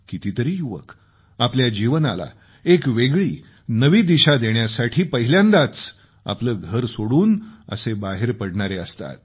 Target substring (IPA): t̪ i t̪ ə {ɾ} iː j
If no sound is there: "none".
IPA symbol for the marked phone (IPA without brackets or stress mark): ɾ